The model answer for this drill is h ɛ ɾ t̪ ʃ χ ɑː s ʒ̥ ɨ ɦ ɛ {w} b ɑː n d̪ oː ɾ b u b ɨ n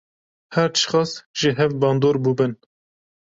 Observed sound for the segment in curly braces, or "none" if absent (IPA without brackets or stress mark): v